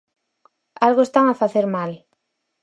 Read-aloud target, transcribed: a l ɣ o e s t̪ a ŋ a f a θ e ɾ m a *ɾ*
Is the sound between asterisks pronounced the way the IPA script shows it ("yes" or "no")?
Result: no